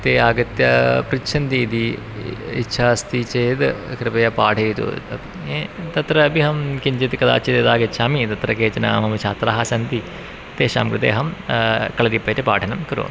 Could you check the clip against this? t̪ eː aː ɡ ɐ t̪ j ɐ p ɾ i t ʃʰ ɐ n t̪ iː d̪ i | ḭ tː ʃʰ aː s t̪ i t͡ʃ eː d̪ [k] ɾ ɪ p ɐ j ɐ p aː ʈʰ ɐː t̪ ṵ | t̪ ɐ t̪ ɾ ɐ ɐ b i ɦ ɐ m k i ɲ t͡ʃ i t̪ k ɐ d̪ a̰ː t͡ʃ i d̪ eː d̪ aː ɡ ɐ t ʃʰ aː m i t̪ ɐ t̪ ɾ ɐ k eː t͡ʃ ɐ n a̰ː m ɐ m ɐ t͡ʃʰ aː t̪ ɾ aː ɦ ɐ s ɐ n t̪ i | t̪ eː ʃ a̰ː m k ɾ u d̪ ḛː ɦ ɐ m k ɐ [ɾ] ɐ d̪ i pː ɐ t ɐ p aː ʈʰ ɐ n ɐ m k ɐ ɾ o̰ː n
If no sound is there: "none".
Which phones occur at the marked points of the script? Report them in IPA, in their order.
k, ɭ

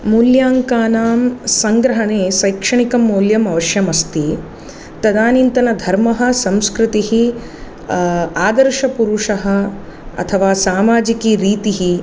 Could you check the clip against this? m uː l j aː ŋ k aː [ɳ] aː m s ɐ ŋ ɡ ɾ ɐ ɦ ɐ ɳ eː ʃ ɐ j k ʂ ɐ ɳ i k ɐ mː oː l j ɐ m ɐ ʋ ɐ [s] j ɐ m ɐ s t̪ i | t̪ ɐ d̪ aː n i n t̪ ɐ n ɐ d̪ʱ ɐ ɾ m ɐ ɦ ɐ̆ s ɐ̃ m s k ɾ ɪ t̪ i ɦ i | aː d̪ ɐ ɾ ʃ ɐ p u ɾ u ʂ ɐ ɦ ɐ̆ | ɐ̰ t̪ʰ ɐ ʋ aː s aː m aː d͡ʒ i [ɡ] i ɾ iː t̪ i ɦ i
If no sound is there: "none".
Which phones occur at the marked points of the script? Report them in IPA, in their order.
n, ʃ, k

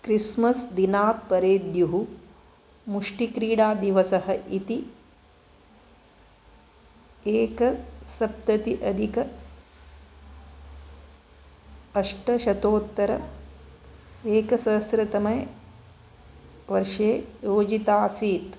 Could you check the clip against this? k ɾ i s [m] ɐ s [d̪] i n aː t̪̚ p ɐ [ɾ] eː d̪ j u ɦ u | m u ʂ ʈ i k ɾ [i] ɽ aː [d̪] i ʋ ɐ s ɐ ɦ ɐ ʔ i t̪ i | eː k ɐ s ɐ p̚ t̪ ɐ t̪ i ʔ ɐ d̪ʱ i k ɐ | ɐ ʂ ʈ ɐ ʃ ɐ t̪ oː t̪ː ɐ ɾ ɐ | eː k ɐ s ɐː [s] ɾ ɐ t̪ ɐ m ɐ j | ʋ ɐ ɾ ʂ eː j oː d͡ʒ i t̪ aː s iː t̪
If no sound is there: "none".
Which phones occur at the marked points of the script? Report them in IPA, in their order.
m, d̪, ɾ, iː, d̪, s

